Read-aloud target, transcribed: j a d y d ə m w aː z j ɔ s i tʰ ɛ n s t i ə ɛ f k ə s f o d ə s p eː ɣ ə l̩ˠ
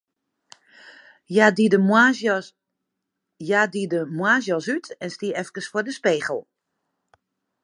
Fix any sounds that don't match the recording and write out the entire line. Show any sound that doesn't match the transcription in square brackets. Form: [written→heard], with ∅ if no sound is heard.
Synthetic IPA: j a d [y→i] d ə m w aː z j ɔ s [i→y] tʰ ɛ n s t i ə ɛ f k ə s f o d ə s p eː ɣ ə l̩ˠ